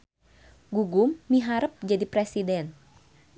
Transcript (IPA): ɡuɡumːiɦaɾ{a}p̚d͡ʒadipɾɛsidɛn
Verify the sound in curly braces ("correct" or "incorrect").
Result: incorrect